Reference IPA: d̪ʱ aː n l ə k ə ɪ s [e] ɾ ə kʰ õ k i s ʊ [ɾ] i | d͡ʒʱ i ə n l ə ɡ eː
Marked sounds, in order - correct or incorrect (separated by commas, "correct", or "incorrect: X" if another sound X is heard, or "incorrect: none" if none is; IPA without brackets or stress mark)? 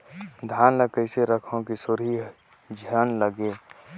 correct, correct